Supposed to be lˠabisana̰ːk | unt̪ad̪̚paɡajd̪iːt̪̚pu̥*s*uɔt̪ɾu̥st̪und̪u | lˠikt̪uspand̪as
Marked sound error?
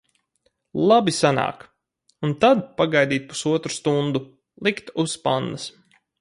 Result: no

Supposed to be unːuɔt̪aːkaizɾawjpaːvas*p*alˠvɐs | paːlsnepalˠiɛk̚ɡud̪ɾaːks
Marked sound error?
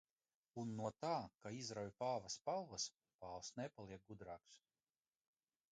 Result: no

